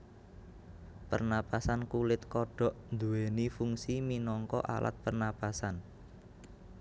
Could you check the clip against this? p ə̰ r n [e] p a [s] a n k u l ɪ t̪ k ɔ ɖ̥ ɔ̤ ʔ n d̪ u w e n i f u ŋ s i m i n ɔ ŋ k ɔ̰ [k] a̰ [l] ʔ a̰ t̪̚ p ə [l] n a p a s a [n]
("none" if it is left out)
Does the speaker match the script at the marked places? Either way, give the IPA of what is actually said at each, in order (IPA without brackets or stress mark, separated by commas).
a, s, ʔ, l, r, n